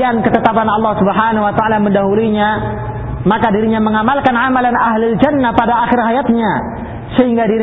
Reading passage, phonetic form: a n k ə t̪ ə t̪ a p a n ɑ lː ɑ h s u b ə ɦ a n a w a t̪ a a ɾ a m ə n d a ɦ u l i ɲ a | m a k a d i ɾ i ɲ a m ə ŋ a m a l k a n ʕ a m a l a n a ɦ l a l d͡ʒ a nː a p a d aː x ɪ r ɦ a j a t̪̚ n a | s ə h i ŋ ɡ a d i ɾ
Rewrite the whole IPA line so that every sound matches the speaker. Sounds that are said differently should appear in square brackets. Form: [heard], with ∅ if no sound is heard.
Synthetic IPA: a n k ə t̪ ə t̪ a p a n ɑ lː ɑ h s u b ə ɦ a n a w a t̪ a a [l] a m ə n d a ɦ u l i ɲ a | m a k a d i ɾ i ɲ a m ə ŋ a m a l k a n ʕ a m a l a n a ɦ l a l d͡ʒ a nː a p a d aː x ɪ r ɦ a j a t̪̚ [ɲ] a | s ə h i ŋ ɡ a d i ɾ